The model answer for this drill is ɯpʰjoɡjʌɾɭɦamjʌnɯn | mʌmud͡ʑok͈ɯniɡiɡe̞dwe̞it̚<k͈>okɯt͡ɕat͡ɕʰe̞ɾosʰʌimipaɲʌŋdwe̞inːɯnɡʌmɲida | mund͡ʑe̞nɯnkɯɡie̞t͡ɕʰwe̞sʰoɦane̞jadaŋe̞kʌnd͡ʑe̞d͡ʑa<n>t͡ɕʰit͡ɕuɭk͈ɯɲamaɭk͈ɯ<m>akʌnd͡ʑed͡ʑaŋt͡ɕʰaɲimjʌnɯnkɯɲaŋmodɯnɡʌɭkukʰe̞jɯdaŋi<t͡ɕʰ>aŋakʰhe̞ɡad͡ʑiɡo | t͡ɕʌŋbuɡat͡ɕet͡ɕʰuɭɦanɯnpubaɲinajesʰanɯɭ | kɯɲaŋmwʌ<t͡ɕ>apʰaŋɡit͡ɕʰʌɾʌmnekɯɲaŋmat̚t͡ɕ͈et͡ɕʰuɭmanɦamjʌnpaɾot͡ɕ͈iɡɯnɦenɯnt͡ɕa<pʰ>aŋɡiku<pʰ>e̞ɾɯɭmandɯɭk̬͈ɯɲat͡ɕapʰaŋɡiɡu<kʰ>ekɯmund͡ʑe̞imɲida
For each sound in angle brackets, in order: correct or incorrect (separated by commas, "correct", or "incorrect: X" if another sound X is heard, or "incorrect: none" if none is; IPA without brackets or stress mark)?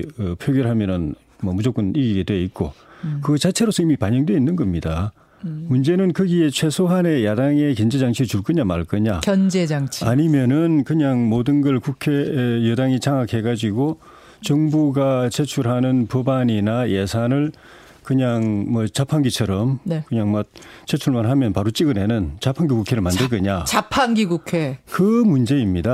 correct, incorrect: ŋ, incorrect: ɲ, incorrect: t͡ɕ, correct, correct, incorrect: kʰ, correct